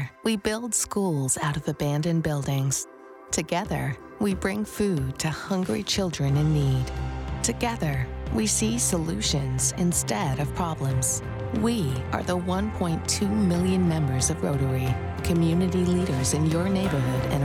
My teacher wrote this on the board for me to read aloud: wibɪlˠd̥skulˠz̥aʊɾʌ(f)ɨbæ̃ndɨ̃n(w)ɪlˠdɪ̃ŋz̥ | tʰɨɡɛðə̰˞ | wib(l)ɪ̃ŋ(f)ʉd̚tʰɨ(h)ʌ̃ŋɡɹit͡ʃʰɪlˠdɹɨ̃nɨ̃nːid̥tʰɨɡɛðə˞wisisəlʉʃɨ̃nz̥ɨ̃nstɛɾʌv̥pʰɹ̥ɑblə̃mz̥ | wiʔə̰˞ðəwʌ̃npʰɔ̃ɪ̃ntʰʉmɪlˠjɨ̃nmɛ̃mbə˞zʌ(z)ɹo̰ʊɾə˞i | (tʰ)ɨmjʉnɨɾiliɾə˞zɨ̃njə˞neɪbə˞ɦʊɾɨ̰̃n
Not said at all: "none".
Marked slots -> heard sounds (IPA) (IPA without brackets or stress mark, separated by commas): v, b, ɹ, f, h, v, kʰ